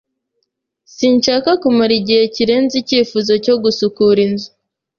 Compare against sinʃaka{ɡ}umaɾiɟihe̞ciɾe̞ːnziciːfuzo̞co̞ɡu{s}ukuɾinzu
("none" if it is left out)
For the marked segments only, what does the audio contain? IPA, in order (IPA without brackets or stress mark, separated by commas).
k, s